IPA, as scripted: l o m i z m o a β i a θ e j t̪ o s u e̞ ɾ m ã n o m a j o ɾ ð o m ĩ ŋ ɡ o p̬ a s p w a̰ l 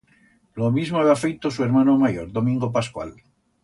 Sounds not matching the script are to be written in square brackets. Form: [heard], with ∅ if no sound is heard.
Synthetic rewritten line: l o m i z m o a β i a [f] e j t̪ o s u e̞ ɾ m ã n o m a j o ɾ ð o m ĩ ŋ ɡ o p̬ a s [k] w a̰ l

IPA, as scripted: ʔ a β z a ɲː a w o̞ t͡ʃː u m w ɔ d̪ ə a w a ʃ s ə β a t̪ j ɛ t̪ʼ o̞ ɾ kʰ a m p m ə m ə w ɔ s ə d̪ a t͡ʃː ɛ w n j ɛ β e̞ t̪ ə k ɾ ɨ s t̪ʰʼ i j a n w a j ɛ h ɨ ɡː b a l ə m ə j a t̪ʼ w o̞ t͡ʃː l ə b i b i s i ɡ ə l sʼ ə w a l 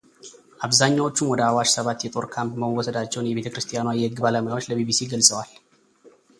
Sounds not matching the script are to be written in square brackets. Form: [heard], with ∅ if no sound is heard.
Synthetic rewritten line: ʔ a β z a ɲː a w o̞ t͡ʃː u m w ɔ d̪ ə a w a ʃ s ə β a t̪ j ɛ t̪ʼ o̞ ɾ kʰ a m p m ə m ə w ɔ s ə d̪ a t͡ʃː ɛ w n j ɛ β e̞ t̪ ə k ɾ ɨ s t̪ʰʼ i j a n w a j ɛ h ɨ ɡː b a l ə m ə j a [∅] w o̞ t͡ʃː l ə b i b i s i ɡ ə l sʼ ə w a l

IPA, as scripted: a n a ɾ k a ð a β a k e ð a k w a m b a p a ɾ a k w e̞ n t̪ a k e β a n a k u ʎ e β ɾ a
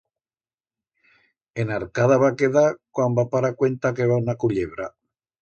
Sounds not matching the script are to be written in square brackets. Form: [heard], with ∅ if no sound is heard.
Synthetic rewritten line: [e] n a ɾ k a ð a β a k e ð a k w a m b a p a ɾ a k w e̞ n t̪ a k e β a n a k u ʎ e β ɾ a

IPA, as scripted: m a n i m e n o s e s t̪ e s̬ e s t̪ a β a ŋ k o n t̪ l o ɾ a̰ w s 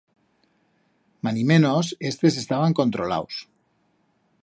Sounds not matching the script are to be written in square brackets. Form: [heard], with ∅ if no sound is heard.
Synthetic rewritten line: m a n i m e n o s e s t̪ e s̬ e s t̪ a β a ŋ k o n t̪ [ɾ] o [l] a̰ w s

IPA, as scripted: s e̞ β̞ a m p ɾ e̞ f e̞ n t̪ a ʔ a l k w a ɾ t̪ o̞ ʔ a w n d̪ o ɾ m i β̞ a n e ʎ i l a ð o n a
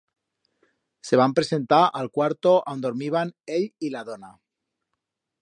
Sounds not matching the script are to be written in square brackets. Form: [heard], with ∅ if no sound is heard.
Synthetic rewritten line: s e̞ β̞ a m p ɾ e̞ [s] e̞ n t̪ a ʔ a l k w a ɾ t̪ o̞ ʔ a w n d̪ o ɾ m i β̞ a n e ʎ i l a ð o n a

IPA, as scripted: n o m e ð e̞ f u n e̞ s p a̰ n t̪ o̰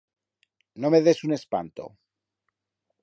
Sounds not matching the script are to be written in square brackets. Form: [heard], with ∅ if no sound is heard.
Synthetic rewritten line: n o m e ð e̞ [s] u n e̞ s p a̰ n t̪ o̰

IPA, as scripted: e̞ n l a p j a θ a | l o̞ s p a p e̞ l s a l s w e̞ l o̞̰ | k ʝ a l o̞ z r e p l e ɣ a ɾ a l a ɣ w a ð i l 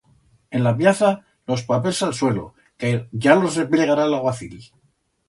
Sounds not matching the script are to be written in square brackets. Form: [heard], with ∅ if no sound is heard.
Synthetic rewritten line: e̞ n l a p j a θ a | l o̞ s p a p e̞ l s a l s w e̞ l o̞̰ | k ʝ a l o̞ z r e p l e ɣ a ɾ a l a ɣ w a [θ] i l

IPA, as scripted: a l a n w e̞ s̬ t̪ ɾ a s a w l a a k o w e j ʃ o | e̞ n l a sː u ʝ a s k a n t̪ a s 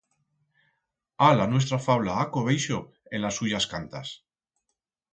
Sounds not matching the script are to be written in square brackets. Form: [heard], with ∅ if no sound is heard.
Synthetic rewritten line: a l a n w e̞ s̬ t̪ ɾ a [f] a w l a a k o [β] e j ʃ o | e̞ n l a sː u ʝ a s k a n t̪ a s

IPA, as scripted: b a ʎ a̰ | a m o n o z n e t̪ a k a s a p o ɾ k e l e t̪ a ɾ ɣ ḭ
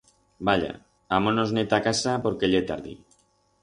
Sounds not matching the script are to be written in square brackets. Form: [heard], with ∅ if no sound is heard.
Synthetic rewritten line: b a ʎ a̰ | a m o n o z n e t̪ a k a s a p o ɾ k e [ʎ] e t̪ a ɾ [ð] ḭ

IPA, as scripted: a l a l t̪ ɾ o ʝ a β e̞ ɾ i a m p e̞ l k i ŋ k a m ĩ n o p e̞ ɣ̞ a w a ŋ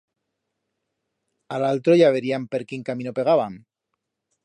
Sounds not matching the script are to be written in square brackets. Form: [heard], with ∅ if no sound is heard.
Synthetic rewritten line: a l a l t̪ ɾ o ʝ a β e̞ ɾ i a m p e̞ [ɾ] k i ŋ k a m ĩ n o p e̞ ɣ̞ a [β] a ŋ

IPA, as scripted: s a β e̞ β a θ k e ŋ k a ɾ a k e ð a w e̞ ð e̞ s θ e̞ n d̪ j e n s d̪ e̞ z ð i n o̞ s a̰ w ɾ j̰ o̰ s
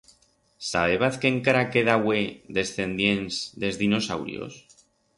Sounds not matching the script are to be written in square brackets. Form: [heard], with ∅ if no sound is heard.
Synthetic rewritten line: s a β e̞ β a θ k e ŋ k a ɾ a k e ð a w e̞ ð e̞ s θ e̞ n d̪ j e n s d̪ e̞ z ð i n o̞ s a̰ w ɾ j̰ o̰ s

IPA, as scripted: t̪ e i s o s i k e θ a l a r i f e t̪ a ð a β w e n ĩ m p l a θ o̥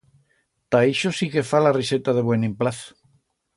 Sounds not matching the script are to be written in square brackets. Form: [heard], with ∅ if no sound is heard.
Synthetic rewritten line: t̪ [a] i [ʃ] o s i k e [f] a l a r i [s] e t̪ a ð [e] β w e n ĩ m p l a θ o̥

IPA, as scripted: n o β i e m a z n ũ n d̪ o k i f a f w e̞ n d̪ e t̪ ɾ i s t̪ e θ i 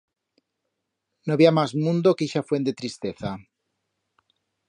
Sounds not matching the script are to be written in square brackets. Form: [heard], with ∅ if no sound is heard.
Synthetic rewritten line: n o β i [a] m a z [m] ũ n d̪ o k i [ʃ] a f w e̞ n d̪ e t̪ ɾ i s t̪ e θ [a]

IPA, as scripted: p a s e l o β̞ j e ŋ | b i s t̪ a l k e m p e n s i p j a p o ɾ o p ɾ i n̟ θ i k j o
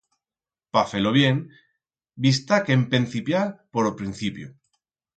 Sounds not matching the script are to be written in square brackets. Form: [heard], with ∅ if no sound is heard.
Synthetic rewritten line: p a [f] e l o β̞ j e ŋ | b i s t̪ a [∅] k e m p e n [θ] i p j a p o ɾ o p ɾ i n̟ θ i [p] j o

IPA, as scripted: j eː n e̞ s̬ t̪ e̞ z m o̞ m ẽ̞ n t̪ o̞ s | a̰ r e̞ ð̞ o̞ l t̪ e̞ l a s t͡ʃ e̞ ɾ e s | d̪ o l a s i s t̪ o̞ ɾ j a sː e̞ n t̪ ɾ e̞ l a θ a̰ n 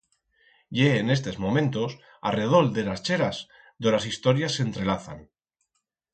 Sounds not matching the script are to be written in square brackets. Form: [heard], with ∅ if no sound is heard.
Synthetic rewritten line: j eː n e̞ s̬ t̪ e̞ z m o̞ m ẽ̞ n t̪ o̞ s | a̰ r e̞ ð̞ o̞ l [d̪] e̞ l a s t͡ʃ e̞ ɾ [a] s | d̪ o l a s i s t̪ o̞ ɾ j a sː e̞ n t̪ ɾ e̞ l a θ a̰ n

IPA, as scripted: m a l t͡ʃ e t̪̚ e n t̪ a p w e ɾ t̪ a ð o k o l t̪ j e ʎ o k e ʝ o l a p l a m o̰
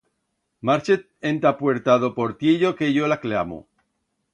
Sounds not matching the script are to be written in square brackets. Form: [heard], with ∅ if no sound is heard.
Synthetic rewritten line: m a [ɾ] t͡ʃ e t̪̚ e n t̪ a p w e ɾ t̪ a ð o [p] o [ɾ] t̪ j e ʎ o k e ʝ o l a [k] l a m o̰

